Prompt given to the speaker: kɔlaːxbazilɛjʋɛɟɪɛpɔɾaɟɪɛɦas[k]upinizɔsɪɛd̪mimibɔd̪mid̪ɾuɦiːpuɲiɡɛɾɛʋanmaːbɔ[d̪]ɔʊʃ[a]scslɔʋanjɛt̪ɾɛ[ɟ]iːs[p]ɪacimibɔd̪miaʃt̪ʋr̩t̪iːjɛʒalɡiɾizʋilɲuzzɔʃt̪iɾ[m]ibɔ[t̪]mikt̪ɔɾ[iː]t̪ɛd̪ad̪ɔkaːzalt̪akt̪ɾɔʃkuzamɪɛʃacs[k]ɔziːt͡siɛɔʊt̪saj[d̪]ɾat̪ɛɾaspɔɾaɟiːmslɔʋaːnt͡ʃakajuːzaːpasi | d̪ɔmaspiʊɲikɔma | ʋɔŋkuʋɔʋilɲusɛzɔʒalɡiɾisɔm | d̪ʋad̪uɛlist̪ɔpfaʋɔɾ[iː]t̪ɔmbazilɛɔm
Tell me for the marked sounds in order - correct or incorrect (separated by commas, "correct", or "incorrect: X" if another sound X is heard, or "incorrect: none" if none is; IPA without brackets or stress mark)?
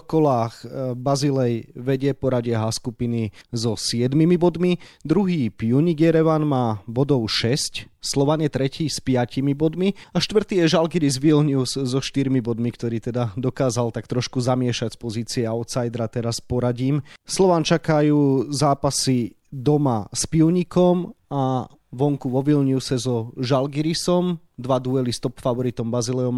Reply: correct, correct, incorrect: ɛ, incorrect: c, correct, correct, incorrect: d̪, correct, incorrect: p, correct, incorrect: i